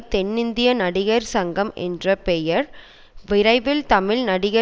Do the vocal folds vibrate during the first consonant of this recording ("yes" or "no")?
no